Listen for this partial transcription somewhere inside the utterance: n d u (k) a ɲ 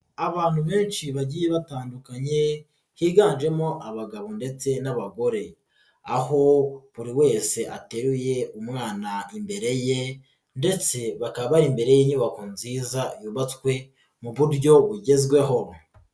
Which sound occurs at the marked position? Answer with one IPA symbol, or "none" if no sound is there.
k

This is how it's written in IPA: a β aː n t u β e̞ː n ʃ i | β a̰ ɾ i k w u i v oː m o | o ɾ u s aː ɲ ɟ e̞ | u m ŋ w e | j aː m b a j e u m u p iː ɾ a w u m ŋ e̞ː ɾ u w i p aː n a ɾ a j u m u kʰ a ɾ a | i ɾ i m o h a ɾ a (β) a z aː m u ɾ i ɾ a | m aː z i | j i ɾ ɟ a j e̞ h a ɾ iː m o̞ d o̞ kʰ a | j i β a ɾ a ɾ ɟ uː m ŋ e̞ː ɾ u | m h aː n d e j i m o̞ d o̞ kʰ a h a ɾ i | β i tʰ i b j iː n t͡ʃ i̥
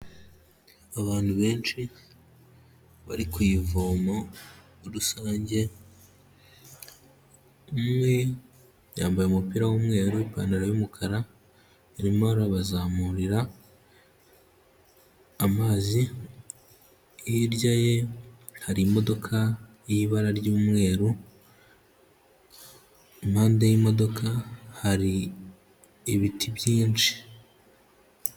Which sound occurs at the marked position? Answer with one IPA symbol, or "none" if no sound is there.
β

